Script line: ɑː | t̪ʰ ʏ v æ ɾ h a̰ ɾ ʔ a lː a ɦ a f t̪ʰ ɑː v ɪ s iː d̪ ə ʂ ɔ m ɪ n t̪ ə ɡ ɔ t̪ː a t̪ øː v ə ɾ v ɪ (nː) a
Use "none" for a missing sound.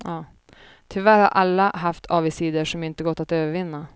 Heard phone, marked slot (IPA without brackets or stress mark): nː